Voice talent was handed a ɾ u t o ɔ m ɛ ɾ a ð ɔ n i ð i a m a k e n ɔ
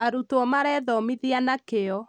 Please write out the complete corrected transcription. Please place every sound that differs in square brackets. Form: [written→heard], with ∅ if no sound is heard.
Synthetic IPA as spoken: a ɾ u t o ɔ m [ɛ→a] ɾ [a→ɛ] ð ɔ [n→m] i ð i a [m→n] a k e [n→∅] ɔ